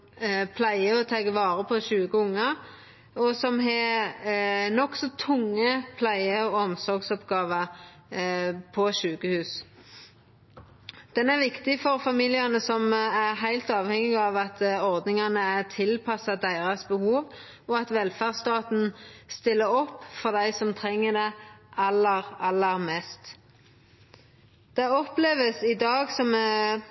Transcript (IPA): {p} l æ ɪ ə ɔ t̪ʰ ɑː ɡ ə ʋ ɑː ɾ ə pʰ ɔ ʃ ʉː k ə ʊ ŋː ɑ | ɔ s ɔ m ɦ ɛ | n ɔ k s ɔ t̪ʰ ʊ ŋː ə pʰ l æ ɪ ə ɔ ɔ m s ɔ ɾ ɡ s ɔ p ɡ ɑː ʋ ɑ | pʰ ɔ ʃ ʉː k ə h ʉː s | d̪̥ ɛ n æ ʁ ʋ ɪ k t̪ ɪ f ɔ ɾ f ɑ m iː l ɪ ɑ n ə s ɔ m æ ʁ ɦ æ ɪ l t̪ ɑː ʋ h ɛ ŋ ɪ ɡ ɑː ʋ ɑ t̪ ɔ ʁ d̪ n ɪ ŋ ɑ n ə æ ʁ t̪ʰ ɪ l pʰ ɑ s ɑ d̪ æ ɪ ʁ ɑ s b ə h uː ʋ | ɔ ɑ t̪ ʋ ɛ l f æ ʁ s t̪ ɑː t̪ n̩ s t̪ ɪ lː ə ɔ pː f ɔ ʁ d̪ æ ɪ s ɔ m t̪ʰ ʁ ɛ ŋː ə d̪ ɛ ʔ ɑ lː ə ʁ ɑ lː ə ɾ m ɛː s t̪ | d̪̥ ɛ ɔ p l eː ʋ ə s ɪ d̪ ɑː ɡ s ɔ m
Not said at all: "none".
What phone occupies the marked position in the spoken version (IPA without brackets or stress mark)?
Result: pʰ